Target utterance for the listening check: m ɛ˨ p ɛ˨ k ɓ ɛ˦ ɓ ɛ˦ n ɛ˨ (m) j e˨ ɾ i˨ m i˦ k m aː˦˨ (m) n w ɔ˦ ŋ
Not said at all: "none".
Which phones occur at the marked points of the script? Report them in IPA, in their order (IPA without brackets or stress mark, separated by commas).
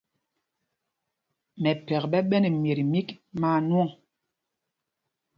m, none